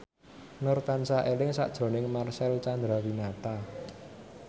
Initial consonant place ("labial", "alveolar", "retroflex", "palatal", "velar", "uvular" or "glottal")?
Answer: alveolar